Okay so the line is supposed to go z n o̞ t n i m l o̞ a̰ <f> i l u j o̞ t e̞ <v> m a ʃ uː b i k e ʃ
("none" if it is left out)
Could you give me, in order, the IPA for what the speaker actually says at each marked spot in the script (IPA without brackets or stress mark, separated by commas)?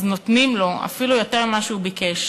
f, ʁ